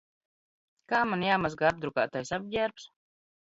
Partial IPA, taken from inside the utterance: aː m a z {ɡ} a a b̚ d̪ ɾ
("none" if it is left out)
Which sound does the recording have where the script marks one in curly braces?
ɡ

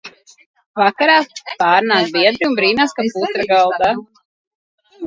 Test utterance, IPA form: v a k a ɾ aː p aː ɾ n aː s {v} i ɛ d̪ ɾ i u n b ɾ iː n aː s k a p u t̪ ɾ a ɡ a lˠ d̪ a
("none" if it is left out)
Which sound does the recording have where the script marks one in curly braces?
b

